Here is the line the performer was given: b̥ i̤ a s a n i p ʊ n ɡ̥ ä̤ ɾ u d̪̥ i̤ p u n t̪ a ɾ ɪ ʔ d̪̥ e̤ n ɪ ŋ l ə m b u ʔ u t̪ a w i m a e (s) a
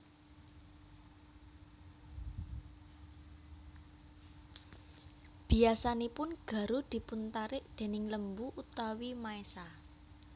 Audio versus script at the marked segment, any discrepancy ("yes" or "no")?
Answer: no